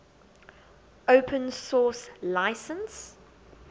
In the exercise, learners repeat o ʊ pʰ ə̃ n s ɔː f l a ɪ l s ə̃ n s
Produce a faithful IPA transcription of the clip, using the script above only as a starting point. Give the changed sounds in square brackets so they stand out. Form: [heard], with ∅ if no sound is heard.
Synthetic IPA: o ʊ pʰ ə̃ n s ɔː [s] l a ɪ [∅] s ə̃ n s